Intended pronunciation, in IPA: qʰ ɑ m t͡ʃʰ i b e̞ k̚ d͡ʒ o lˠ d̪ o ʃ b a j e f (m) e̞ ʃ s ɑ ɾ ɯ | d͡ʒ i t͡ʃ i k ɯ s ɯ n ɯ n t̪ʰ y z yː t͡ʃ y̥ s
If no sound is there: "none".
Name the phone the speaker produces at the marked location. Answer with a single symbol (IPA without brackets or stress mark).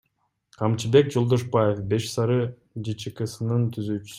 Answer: b